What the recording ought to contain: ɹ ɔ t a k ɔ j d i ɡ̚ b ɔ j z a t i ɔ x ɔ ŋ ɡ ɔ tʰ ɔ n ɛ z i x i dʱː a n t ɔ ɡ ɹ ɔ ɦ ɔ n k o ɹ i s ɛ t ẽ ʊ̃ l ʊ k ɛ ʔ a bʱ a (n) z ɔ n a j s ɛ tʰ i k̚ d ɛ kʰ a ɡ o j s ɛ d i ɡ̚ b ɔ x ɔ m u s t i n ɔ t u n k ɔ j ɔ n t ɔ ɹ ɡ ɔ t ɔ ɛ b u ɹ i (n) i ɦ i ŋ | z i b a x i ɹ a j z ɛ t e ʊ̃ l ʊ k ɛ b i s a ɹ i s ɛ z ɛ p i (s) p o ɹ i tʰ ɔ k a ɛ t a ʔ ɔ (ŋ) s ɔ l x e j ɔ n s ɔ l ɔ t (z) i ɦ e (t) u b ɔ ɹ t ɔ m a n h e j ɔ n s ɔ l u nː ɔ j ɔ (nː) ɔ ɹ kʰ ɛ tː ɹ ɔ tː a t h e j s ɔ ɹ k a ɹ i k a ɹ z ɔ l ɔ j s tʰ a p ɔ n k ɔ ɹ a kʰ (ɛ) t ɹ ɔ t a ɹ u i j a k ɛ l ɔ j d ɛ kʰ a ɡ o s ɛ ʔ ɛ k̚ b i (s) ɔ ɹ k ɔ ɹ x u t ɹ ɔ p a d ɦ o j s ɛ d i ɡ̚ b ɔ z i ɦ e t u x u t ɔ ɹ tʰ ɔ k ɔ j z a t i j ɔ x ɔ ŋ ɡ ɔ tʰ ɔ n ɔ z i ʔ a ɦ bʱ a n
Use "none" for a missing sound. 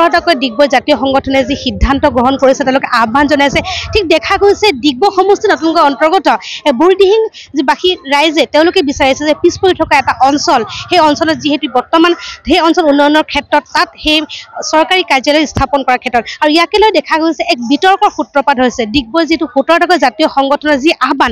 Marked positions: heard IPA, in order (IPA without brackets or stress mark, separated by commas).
n, d, s, n, z, t, n, ɛ, t